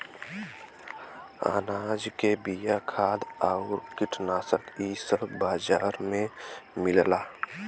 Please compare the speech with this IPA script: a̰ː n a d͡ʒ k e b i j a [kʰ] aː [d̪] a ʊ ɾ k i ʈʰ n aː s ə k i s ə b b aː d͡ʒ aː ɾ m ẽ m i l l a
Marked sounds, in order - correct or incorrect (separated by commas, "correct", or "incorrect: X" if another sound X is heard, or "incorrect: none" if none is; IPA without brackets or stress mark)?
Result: correct, correct